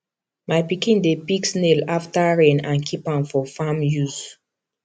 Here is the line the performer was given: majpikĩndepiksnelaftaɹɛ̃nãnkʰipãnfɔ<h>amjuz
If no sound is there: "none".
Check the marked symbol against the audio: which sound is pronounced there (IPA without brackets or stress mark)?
f